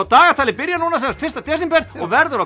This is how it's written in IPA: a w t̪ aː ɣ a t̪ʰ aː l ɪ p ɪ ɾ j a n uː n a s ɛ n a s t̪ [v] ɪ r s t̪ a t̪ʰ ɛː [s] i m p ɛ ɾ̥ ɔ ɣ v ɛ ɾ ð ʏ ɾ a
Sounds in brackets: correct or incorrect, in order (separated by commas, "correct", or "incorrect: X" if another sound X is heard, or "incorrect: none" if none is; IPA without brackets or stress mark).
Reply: incorrect: f, correct